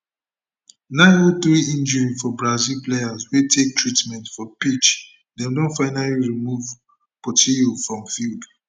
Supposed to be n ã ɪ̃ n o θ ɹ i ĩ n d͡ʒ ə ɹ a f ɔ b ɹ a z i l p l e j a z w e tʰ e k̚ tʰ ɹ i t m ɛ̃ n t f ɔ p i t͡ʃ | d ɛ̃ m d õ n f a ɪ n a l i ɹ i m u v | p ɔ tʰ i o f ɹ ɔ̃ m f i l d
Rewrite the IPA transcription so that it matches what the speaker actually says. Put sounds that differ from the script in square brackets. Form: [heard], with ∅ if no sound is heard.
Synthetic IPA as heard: n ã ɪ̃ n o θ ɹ i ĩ n d͡ʒ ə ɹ [i] f ɔ b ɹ a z i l p l e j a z w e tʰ e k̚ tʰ ɹ i t m ɛ̃ n t f ɔ p i t͡ʃ | d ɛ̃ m d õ n f a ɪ n a l i ɹ i m u v | p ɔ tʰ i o f ɹ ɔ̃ m f i l d